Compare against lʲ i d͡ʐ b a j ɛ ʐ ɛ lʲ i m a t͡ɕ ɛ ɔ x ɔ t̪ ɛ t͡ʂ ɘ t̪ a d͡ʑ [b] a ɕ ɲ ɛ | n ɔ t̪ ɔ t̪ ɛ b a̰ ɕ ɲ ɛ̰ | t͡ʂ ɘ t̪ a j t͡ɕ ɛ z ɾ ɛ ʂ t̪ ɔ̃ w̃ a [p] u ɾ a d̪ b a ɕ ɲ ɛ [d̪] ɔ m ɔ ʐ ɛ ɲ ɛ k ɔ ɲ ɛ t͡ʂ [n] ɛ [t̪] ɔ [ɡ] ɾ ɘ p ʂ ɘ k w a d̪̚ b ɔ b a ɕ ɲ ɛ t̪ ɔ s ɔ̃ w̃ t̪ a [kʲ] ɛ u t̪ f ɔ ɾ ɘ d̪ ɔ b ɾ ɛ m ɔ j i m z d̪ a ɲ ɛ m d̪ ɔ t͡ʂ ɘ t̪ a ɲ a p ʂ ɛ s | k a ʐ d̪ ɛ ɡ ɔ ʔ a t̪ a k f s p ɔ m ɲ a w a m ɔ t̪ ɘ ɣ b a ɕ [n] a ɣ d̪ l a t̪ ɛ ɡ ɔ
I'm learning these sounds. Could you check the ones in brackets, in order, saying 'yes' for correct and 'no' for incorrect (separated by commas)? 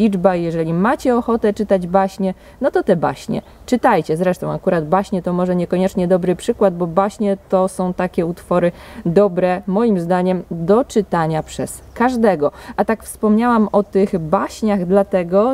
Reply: yes, no, no, no, no, no, yes, no